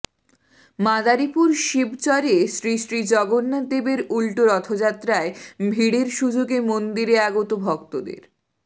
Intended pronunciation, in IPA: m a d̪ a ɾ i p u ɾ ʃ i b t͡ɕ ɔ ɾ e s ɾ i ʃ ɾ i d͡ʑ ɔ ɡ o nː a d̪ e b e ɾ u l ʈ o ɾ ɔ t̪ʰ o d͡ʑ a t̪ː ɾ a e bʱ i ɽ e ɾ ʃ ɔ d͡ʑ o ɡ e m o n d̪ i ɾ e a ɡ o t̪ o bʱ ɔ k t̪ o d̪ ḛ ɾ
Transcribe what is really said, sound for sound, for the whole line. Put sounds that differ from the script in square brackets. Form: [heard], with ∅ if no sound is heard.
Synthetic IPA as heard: m a d̪ a ɾ i p u ɾ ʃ i b t͡ɕ ɔ ɾ e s ɾ i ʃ ɾ i d͡ʑ ɔ ɡ o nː a d̪ e b e ɾ u l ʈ o ɾ ɔ t̪ʰ o d͡ʑ a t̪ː ɾ a e bʱ i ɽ e ɾ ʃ [u] d͡ʑ o ɡ e m o n d̪ i ɾ e a ɡ o t̪ o bʱ ɔ k t̪ o d̪ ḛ ɾ